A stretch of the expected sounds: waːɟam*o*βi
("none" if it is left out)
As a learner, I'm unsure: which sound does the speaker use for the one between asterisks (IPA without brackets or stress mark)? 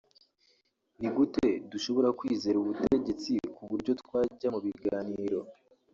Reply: u